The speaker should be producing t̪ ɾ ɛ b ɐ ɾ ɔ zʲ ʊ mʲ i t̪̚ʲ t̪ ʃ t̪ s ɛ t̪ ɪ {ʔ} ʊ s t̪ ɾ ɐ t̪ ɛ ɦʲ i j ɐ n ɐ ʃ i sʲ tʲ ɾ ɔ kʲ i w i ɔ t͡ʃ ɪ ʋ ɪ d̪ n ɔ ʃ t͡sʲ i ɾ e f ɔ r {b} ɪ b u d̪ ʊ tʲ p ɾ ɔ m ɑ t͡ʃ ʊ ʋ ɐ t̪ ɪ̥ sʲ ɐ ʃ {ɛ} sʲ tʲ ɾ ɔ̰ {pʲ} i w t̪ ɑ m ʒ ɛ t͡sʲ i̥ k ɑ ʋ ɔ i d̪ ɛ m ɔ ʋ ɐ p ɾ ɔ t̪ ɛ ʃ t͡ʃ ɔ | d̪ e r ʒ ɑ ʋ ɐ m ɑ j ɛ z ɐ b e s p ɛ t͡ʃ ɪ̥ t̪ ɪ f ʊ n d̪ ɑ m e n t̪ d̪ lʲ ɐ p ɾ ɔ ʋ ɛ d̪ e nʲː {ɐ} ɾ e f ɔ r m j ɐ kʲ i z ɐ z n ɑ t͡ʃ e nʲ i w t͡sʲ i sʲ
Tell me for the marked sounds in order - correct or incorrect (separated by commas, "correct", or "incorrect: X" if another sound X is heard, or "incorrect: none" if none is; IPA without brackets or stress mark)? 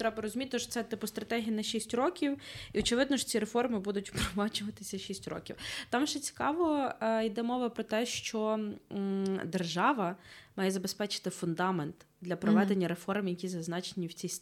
incorrect: p, incorrect: m, incorrect: i, incorrect: kʲ, correct